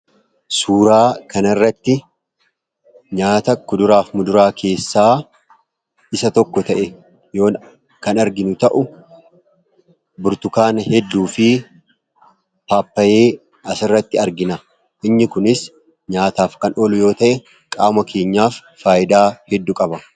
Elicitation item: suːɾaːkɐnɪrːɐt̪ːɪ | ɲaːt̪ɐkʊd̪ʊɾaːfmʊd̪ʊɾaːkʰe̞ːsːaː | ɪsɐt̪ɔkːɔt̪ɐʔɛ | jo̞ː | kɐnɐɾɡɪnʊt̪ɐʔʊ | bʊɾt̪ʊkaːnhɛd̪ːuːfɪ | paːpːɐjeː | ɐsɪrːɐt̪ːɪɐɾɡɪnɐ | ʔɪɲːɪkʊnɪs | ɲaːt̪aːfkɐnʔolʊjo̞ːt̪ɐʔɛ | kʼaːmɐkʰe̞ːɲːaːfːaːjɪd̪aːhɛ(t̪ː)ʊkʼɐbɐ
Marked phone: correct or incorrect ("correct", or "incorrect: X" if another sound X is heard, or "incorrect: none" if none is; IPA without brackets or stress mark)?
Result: incorrect: d̪ː